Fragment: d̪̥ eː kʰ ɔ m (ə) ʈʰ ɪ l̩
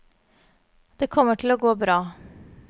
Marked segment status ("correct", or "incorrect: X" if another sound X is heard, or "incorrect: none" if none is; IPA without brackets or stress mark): correct